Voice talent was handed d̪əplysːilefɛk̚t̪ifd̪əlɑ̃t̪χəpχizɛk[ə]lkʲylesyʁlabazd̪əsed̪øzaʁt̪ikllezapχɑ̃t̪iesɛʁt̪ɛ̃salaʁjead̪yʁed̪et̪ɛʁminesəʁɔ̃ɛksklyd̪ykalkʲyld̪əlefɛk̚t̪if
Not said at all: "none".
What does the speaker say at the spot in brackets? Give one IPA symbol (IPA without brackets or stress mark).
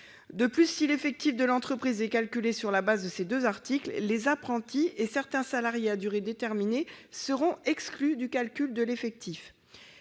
a